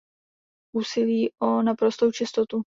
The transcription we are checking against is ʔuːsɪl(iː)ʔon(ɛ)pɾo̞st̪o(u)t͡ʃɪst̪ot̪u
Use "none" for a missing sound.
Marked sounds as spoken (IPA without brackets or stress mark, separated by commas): iː, a, w